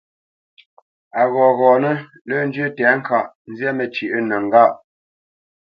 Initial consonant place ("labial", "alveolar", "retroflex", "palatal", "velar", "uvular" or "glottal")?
velar